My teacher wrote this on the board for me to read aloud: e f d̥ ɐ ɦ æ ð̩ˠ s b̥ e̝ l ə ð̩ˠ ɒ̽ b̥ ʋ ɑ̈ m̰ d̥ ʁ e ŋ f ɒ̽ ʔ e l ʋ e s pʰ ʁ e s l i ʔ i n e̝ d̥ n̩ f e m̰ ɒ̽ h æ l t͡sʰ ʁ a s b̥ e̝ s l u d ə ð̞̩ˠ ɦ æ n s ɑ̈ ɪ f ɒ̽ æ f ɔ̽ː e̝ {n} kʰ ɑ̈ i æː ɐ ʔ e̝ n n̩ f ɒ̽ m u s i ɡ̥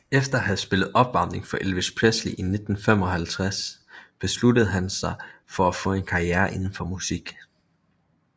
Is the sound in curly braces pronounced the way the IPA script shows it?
yes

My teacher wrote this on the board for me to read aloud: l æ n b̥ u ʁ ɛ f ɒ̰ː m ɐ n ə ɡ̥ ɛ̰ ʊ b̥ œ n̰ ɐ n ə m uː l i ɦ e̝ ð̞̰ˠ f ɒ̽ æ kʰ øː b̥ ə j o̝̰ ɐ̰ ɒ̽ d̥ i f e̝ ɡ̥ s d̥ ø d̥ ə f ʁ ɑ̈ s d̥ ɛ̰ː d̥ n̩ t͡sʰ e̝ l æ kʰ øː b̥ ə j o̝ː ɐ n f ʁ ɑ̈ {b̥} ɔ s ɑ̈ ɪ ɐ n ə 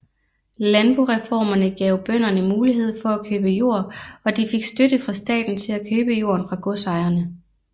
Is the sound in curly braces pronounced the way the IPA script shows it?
no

